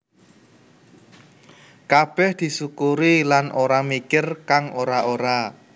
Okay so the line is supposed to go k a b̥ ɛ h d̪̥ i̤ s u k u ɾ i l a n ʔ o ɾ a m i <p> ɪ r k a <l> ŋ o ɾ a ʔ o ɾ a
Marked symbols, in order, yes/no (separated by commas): no, no